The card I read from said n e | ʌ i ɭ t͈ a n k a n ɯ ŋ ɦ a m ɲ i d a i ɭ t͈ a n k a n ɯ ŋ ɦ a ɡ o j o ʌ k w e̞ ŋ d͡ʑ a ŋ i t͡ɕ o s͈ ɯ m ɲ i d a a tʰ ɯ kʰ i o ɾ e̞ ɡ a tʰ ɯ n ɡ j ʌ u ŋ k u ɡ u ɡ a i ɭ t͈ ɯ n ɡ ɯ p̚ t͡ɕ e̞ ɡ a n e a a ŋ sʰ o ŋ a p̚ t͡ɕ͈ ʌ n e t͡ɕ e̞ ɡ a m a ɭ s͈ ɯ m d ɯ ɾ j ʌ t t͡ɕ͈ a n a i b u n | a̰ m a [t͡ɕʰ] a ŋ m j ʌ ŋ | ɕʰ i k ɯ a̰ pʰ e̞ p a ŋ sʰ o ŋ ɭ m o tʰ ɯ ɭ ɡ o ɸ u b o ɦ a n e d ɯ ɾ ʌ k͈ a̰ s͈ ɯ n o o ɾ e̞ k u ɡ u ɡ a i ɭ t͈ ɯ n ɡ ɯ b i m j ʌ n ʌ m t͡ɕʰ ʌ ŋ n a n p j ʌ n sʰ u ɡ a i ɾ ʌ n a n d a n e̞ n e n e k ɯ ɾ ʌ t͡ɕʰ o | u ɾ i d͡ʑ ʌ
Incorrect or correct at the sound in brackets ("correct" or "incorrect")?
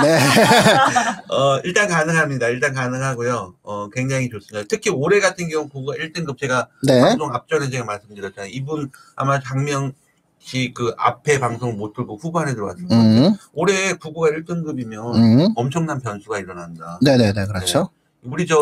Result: incorrect